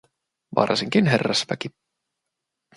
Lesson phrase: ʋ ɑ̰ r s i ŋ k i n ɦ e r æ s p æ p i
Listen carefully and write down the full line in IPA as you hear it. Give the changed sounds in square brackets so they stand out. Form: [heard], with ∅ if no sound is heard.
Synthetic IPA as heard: ʋ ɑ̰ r s i ŋ k i n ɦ e [rː] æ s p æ [k] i